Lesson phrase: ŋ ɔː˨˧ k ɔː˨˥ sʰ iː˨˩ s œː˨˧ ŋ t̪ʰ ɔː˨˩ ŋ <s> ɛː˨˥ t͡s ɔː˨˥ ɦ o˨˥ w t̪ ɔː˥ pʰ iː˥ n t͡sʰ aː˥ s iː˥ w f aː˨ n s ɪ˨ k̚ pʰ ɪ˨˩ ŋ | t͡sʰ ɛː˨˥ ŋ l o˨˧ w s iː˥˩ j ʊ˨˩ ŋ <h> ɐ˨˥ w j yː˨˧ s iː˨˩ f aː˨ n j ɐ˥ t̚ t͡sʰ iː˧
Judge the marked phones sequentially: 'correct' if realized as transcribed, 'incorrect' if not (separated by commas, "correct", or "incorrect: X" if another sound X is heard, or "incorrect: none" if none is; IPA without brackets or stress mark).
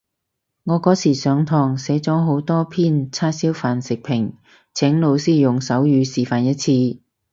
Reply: correct, incorrect: s